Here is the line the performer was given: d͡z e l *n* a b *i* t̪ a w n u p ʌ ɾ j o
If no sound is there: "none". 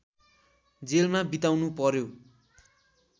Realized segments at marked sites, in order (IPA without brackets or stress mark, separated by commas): m, i